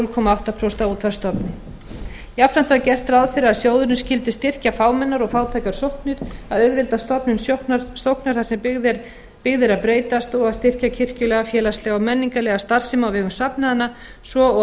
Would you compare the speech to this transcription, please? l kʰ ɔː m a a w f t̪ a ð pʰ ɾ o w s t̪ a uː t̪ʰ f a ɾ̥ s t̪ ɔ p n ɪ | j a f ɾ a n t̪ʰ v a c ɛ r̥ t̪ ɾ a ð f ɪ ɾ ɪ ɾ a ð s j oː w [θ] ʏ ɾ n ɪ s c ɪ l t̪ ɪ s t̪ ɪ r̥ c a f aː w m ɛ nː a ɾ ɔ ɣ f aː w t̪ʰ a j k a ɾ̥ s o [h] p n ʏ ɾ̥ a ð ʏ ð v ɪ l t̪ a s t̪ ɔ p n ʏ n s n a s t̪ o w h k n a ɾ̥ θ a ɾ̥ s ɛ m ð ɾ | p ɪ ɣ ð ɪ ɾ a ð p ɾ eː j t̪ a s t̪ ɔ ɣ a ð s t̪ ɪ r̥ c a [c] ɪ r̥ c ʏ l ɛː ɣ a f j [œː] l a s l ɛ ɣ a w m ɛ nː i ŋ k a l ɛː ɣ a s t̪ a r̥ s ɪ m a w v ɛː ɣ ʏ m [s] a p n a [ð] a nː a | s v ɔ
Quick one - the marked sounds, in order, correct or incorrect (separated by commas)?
incorrect, correct, incorrect, incorrect, correct, correct